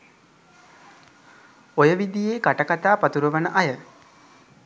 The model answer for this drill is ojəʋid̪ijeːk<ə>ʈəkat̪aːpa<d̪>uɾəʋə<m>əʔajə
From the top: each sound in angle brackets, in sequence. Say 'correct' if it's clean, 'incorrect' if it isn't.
incorrect: a, incorrect: t̪, incorrect: n

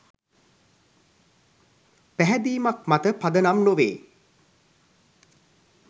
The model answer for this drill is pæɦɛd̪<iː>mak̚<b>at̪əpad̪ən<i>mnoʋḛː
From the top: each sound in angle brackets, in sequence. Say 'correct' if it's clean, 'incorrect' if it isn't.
correct, incorrect: m, incorrect: a

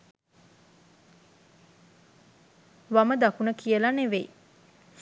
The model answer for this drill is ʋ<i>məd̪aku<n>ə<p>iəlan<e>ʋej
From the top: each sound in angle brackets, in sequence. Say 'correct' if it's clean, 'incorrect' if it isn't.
incorrect: a, correct, incorrect: k, correct

